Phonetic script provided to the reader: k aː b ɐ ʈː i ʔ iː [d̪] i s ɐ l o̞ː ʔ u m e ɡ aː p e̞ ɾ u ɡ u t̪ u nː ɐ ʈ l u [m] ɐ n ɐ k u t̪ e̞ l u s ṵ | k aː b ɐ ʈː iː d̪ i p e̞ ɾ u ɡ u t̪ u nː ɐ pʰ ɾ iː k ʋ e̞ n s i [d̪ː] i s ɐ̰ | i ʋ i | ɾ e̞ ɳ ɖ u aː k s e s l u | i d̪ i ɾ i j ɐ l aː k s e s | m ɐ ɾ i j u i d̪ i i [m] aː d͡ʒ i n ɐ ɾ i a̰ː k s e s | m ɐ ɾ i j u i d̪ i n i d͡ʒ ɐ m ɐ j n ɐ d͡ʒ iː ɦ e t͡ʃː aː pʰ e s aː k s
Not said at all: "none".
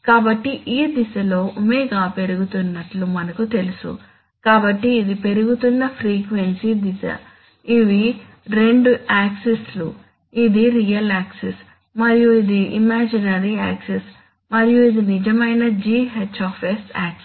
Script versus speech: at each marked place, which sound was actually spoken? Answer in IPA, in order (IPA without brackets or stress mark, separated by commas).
d̪, m, d̪, m